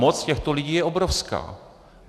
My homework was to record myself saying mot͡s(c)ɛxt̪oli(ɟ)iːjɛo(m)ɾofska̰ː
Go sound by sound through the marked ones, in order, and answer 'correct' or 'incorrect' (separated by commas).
correct, correct, incorrect